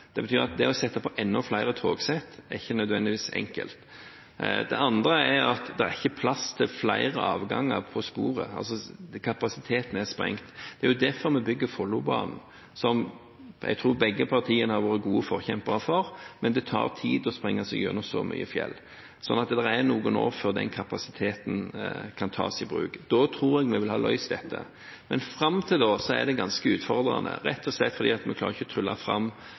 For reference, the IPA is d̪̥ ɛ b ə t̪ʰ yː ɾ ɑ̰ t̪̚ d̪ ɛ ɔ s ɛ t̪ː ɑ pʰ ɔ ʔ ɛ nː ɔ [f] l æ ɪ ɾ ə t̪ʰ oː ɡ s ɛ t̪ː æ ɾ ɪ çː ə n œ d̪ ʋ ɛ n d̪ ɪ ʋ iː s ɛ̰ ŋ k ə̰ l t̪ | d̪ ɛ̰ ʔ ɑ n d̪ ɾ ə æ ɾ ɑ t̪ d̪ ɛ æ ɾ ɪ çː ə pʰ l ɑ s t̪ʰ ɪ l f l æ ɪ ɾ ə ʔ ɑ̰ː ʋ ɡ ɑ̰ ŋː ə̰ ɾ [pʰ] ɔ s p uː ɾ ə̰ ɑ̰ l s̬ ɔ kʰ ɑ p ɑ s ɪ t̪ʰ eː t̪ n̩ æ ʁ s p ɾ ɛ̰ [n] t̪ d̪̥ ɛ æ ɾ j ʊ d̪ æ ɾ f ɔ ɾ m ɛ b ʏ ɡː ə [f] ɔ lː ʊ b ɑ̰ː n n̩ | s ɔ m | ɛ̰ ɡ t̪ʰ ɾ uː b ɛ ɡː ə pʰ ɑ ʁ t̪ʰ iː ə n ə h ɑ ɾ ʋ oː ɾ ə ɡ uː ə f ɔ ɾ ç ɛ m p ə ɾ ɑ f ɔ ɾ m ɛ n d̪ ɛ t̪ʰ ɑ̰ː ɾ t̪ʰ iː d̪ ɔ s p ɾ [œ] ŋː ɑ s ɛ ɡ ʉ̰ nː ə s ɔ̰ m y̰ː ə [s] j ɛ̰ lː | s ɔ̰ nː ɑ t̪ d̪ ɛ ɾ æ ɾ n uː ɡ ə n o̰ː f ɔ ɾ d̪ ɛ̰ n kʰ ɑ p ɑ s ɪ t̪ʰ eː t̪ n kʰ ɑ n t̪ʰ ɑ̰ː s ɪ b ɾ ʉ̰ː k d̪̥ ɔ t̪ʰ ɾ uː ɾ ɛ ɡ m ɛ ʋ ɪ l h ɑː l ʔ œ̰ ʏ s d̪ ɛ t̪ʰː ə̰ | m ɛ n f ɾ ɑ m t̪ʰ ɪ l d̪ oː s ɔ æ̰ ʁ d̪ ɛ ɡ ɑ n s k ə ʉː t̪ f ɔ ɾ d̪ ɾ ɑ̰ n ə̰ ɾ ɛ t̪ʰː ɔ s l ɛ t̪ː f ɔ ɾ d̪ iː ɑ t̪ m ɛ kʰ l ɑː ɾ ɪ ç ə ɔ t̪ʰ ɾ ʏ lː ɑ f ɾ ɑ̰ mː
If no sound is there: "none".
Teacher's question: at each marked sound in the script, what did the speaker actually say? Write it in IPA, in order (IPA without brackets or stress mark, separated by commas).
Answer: f, pʰ, ŋ, f, ɛ, f